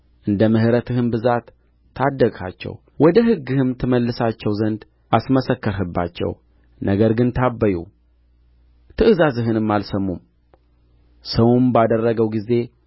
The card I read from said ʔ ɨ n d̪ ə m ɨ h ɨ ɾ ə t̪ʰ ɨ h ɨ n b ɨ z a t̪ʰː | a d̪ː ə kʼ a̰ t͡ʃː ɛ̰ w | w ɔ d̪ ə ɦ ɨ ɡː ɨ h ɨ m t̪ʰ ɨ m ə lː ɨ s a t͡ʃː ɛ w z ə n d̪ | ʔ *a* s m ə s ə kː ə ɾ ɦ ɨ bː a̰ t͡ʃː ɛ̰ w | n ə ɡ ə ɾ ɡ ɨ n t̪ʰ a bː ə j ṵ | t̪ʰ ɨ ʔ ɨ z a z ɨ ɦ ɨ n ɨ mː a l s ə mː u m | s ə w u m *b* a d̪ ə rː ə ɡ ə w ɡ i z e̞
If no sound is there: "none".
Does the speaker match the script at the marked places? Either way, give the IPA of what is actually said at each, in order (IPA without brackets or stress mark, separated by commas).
a, b